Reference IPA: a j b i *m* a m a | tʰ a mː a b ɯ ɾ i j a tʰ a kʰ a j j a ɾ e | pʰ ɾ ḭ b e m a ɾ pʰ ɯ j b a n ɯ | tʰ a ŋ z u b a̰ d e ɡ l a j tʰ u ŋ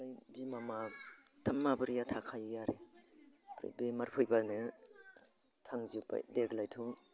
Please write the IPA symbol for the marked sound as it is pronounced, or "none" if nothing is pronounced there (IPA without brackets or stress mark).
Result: m